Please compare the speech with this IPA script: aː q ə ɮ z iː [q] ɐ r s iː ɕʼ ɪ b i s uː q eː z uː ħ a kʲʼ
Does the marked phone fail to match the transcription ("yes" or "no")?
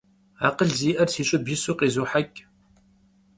yes